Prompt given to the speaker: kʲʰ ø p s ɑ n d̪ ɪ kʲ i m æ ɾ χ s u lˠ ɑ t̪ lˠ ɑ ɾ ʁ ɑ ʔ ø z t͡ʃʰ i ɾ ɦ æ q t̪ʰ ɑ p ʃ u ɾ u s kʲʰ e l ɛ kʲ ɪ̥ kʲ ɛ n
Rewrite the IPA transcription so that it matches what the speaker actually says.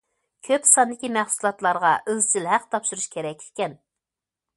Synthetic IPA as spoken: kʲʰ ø p s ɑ n d̪ ɪ kʲ i m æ χ s u lˠ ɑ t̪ lˠ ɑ ɾ ʁ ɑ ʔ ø z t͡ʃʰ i l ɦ æ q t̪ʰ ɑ p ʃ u ɾ u ʃ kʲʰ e ɾ ɛ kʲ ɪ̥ kʲ ɛ n